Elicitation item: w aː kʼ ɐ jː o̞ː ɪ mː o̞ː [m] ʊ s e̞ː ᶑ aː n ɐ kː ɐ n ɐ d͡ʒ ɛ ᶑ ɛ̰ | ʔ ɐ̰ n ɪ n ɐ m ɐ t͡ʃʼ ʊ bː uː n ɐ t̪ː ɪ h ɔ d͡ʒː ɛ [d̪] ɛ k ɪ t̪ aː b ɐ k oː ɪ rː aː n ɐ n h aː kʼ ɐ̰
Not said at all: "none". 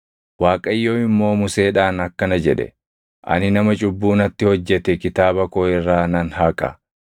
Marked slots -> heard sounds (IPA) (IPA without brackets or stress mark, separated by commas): m, t̪